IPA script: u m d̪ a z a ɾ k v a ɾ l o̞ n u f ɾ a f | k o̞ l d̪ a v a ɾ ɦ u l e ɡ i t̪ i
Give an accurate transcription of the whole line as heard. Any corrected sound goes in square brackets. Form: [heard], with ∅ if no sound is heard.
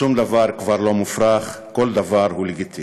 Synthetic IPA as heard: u m d̪ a [v] a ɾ k v a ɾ l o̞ [m] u f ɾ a [χ] | k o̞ l d̪ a v a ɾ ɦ u l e ɡ i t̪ i